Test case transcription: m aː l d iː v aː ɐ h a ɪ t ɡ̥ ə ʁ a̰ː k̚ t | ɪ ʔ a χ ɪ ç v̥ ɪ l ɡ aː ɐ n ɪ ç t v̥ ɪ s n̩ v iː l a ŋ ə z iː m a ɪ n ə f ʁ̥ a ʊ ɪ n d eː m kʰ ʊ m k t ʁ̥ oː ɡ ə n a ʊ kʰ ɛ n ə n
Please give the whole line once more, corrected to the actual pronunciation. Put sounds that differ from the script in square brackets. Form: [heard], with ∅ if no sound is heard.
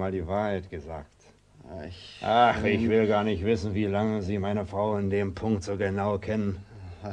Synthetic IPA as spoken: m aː l d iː v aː ɐ h a ɪ t ɡ̥ ə [z] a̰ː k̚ t | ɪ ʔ a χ ɪ ç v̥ ɪ l ɡ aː ɐ n ɪ ç t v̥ ɪ s n̩ v iː l a ŋ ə z iː m a ɪ n ə f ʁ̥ a ʊ ɪ n d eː m [pʰ] ʊ [ŋ] k t [z̥] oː ɡ ə n a ʊ kʰ ɛ n ə n